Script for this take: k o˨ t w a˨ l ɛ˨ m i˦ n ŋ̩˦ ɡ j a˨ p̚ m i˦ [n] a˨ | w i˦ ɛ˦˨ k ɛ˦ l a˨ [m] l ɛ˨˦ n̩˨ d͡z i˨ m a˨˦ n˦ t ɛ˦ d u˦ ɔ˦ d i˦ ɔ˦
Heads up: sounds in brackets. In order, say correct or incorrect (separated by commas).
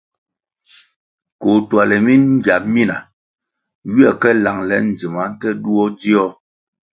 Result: correct, incorrect